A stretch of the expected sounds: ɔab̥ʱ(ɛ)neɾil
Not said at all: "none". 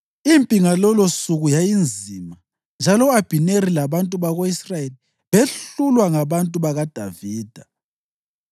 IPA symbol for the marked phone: i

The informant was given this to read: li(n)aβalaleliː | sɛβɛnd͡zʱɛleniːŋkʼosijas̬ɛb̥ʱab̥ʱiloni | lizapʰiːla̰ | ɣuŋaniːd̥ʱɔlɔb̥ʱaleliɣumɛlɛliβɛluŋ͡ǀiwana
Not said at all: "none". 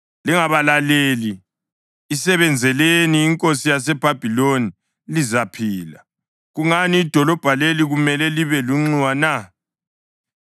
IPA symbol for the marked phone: ŋ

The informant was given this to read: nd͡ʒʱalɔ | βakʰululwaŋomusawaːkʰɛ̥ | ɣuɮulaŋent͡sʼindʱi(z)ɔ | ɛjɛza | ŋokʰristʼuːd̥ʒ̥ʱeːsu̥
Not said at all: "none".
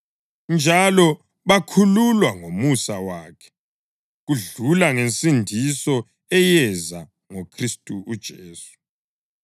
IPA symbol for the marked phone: s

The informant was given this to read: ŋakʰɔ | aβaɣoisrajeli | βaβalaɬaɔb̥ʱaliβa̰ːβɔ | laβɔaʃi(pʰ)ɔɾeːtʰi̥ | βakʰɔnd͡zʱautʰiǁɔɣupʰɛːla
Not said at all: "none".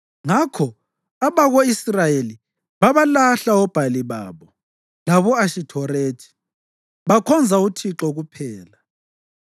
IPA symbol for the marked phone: tʰ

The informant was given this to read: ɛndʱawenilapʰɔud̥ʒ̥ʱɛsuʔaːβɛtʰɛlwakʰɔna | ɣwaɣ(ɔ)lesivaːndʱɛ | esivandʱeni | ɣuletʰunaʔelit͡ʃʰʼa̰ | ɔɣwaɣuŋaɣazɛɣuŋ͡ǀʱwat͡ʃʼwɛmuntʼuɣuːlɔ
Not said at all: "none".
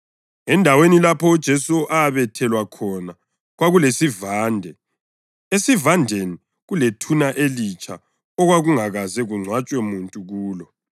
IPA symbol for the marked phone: u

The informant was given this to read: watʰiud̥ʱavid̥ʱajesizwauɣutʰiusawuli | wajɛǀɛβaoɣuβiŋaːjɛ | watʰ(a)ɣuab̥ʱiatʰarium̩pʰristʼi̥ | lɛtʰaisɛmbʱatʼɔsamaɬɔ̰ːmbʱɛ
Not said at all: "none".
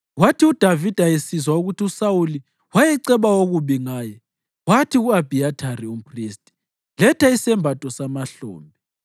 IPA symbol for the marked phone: i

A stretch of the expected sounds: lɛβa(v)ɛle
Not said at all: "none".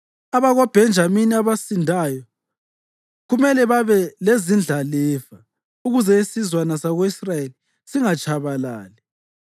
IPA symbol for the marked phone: β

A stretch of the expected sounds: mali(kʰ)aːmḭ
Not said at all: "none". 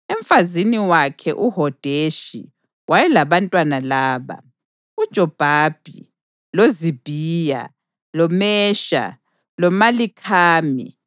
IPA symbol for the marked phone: kʰ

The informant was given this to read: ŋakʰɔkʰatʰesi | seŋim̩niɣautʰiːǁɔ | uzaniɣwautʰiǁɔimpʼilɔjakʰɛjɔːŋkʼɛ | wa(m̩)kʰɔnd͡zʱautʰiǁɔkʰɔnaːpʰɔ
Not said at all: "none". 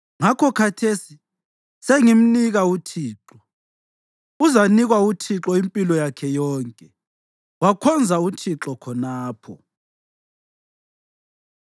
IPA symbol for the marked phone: none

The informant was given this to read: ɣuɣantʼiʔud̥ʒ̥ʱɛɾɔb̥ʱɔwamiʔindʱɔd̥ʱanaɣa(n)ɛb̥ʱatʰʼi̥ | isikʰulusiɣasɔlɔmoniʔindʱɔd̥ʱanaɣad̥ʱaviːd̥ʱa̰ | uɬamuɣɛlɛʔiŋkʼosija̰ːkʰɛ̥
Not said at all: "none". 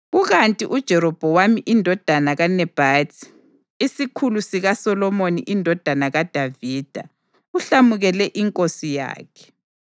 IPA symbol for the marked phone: n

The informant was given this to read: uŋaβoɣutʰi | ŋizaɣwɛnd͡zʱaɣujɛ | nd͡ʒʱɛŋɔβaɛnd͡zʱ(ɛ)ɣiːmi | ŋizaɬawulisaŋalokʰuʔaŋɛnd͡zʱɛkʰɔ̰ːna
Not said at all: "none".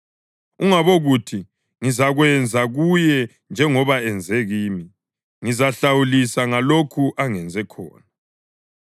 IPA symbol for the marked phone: ɛ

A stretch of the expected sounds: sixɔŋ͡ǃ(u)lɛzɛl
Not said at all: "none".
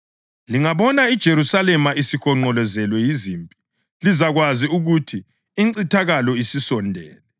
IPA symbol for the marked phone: ɔ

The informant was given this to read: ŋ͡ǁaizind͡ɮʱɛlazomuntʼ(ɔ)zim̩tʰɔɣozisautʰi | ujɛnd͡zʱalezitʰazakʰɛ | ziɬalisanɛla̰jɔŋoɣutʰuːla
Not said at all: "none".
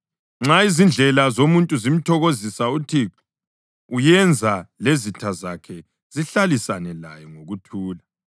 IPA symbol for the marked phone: u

